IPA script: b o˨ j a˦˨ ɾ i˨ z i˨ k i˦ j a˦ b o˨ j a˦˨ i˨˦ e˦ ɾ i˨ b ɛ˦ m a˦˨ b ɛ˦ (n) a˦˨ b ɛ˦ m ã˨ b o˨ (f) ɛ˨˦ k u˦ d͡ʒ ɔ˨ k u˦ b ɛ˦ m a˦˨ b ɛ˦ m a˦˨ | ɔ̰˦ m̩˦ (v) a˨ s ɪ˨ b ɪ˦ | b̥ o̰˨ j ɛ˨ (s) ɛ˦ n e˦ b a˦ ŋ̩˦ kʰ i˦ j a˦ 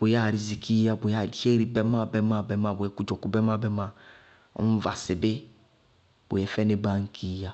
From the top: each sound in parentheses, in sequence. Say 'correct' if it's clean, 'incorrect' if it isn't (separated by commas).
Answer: incorrect, incorrect, correct, incorrect